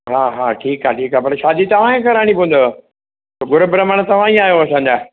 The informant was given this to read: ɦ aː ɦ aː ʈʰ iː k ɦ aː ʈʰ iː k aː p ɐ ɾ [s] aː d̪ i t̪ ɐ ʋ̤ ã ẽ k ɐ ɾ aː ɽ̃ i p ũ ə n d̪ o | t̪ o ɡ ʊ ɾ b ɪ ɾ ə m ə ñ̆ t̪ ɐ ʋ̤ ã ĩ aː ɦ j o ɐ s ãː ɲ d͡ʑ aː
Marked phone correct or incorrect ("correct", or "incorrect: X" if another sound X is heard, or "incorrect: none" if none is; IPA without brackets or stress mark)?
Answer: incorrect: ʃ